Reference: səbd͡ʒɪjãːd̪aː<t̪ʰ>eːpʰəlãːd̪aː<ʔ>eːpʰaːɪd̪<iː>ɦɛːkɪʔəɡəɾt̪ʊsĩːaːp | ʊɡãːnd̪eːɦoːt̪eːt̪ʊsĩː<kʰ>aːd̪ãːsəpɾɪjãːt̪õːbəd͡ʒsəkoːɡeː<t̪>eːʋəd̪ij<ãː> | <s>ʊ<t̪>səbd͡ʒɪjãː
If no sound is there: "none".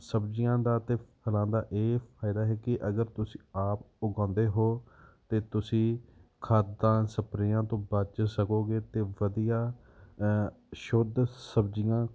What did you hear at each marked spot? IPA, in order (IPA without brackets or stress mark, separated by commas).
t̪, ʔ, aː, kʰ, t̪, aː, ʃ, d̪